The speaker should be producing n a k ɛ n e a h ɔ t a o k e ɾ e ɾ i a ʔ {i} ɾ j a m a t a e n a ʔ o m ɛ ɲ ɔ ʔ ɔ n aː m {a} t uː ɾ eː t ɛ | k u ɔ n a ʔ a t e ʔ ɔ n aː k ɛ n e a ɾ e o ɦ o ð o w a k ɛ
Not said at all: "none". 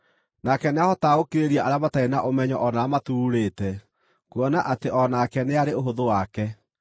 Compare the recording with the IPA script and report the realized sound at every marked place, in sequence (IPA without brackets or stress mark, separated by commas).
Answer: a, a